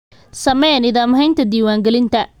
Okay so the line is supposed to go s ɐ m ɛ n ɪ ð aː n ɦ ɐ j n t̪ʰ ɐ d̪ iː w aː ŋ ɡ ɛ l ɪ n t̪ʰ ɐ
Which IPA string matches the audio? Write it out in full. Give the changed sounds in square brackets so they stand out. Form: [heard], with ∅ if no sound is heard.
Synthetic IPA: s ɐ m ɛ n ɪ ð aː [m] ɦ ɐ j n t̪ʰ ɐ d̪ iː w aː ŋ ɡ ɛ l ɪ n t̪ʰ ɐ